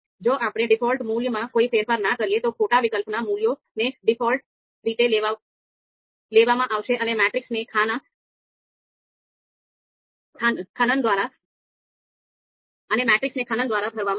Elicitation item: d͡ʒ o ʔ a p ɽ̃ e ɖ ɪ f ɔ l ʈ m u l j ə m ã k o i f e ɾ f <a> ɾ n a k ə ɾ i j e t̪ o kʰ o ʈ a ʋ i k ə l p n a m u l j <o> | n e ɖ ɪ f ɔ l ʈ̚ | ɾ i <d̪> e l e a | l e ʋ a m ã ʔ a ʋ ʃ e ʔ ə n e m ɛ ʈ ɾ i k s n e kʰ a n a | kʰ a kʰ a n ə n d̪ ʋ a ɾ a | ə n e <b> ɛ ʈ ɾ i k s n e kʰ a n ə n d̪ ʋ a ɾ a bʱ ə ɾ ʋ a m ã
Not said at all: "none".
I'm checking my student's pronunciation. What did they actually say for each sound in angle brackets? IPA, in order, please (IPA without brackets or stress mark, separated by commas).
ə, o, t̪, m